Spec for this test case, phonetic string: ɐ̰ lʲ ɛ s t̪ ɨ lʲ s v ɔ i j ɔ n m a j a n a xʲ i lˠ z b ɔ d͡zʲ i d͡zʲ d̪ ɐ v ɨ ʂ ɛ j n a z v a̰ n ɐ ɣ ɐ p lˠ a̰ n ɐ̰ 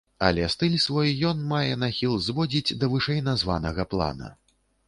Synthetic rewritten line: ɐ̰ lʲ ɛ s t̪ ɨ lʲ s v ɔ j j ɔ n m a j ɛ n a xʲ i lˠ z v ɔ d͡zʲ i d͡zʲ d̪ ɐ v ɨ ʂ ɛ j n a z v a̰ n ɐ ɣ ɐ p lˠ a̰ n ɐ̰